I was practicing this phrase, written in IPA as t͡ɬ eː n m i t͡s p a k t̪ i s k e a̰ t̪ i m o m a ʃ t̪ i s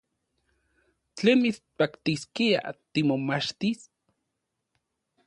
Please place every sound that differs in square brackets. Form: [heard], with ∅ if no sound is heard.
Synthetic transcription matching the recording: t͡ɬ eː n m i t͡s p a k t̪ i s k [i] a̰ t̪ i m o m a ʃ t̪ i s

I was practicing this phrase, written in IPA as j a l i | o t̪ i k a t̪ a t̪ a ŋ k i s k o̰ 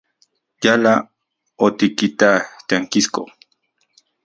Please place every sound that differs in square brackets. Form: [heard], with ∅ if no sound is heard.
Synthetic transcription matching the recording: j a l [a] | o t̪ i k [i] t̪ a t̪ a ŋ k i s k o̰

